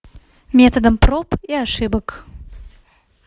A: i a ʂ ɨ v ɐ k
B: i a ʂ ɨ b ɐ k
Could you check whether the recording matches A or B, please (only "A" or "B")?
B